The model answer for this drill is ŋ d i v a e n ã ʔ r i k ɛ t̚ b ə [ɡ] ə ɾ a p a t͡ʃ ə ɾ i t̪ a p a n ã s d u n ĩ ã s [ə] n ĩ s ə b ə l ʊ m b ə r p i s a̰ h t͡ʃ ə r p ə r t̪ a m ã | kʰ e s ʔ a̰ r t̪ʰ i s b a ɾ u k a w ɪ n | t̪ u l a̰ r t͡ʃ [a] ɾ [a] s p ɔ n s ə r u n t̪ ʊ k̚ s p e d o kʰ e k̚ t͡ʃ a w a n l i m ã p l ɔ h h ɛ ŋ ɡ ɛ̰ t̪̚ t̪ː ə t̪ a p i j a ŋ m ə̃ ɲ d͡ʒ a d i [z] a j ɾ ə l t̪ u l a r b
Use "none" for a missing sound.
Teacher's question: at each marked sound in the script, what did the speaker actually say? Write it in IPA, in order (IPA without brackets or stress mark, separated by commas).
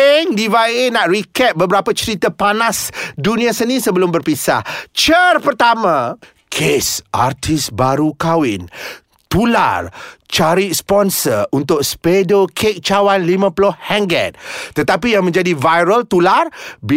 b, ə, a, i, v